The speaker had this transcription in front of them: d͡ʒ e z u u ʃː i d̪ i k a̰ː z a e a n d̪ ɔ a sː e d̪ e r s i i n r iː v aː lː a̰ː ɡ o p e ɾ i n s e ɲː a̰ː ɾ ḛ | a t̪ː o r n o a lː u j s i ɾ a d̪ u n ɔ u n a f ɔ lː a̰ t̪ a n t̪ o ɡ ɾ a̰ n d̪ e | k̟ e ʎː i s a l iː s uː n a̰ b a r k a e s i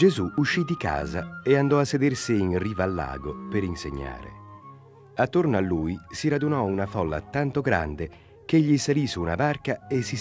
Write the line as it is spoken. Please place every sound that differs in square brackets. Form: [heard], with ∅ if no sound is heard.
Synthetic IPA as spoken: d͡ʒ e z u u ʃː i d̪ i k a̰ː z a e a n d̪ ɔ a sː e d̪ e r s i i n r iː v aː lː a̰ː ɡ o p e ɾ i n s e ɲː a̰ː ɾ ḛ | a t̪ː o r n o a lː u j s i ɾ a d̪ u n ɔ u n a f ɔ lː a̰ t̪ a n t̪ o ɡ ɾ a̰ n d̪ e | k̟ e ʎː i s a l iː s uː n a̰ b a r k a e s i